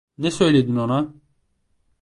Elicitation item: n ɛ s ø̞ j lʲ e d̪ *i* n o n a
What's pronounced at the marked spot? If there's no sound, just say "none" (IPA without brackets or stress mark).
i